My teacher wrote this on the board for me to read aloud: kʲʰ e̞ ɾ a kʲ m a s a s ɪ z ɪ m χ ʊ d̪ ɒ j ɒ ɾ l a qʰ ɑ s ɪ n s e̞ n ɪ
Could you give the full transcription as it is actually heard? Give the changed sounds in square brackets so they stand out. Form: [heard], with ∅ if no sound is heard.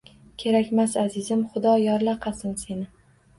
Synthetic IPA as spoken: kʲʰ e̞ ɾ a kʲ m a s a [z] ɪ z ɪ m χ ʊ d̪ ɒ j ɒ ɾ l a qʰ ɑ s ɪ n s e̞ n ɪ